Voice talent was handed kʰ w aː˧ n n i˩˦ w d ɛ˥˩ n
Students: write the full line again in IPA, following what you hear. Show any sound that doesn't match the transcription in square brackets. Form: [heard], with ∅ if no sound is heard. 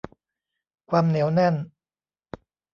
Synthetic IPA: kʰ w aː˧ [m] n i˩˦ w [n] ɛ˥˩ n